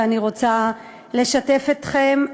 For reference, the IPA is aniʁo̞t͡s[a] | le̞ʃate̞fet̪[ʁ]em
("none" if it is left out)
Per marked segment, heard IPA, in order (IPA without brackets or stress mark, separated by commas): a, χ